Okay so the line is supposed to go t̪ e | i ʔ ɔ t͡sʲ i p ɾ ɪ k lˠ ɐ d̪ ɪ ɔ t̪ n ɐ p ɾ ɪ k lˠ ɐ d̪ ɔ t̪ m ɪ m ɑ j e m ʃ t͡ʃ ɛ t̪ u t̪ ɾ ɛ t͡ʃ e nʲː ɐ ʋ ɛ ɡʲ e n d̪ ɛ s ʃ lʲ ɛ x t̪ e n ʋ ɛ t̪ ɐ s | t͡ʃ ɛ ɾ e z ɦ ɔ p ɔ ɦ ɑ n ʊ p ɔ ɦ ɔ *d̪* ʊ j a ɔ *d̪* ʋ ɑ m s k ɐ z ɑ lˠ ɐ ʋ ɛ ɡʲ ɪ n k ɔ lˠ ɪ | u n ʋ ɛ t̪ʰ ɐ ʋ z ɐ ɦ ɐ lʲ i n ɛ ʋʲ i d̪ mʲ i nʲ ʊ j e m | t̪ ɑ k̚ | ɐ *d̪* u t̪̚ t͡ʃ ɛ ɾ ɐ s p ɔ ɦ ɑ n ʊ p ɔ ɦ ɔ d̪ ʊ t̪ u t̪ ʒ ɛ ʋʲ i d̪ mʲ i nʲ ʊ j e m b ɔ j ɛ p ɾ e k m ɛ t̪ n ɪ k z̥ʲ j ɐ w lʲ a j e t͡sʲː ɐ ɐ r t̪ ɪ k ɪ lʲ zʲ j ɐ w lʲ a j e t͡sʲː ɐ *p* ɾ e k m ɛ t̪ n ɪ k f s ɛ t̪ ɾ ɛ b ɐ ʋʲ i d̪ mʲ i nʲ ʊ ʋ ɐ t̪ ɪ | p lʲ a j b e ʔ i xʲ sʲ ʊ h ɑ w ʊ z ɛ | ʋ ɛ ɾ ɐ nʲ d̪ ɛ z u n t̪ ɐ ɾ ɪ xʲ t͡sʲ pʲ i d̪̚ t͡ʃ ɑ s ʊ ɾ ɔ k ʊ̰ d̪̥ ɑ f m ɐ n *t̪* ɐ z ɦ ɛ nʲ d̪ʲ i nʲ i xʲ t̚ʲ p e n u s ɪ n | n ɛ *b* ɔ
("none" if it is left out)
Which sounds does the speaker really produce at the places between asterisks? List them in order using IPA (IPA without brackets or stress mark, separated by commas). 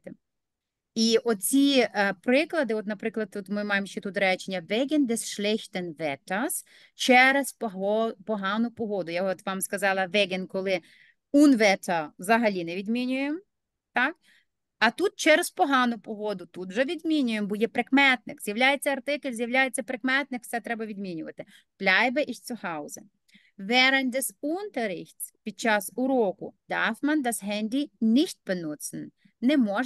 d̪, t̪, t̪, p, d̪, m